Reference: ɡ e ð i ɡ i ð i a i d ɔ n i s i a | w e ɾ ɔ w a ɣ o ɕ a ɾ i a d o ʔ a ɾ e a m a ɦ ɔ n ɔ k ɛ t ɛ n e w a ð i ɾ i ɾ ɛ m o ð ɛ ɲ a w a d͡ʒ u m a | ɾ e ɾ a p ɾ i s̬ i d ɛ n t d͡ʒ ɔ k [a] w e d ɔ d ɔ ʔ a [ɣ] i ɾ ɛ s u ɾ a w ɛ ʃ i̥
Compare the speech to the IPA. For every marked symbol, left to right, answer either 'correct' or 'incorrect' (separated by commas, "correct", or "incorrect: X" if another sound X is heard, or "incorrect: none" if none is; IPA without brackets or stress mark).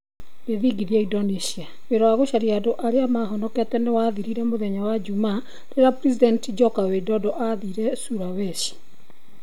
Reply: correct, incorrect: ð